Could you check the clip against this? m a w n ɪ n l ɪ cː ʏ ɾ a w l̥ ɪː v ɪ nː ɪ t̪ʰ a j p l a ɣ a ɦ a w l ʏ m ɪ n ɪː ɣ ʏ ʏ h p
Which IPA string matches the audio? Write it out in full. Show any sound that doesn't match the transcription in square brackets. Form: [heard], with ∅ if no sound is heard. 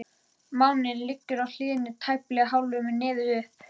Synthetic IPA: m a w n ɪ n l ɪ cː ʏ ɾ a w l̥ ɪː [ð] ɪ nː ɪ t̪ʰ a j p l [ɛ] ɣ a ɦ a w l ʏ m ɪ n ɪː [ð] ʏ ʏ h p

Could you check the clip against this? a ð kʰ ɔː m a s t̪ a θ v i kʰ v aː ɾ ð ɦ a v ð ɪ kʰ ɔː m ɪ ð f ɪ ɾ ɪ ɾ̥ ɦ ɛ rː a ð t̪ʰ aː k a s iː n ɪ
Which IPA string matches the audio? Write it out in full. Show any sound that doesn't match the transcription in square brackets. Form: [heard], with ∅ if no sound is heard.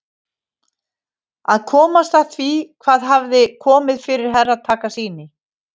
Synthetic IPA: a ð kʰ ɔː m a s t̪ a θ v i kʰ v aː [∅] ð ɦ a v ð ɪ kʰ ɔː m ɪ ð f ɪ ɾ ɪ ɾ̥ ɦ ɛ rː a ð t̪ʰ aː k a s iː n ɪ

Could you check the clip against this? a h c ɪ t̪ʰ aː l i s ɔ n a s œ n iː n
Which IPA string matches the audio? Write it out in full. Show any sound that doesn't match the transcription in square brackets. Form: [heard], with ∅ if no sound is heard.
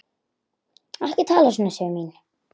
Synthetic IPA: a h c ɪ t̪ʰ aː l [a] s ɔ n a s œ [m] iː n

